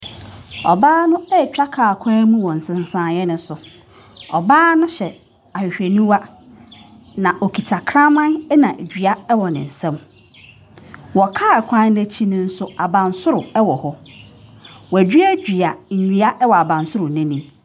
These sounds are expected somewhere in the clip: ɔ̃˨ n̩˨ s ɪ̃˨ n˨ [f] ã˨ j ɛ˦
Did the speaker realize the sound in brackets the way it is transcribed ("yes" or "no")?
no